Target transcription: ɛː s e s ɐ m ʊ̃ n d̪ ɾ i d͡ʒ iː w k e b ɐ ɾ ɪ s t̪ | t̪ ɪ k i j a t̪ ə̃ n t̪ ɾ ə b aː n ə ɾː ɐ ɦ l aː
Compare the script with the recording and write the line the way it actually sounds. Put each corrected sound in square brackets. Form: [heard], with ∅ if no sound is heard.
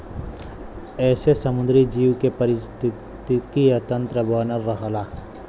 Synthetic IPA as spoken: ɛː s e s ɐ m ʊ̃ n d̪ ɾ i d͡ʒ iː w k e [p] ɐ ɾ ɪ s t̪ | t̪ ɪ k i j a t̪ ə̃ n t̪ ɾ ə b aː n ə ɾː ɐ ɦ l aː